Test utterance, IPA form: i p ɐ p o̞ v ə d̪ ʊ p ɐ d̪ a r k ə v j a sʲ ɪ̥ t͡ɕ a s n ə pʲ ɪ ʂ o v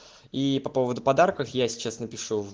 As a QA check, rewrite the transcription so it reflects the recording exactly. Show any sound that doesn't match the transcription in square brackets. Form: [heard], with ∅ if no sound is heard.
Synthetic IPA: i p ɐ p o̞ v ə d̪ ʊ p ɐ d̪ a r k ə [f] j a sʲ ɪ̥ t͡ɕ a s n ə pʲ ɪ ʂ [u] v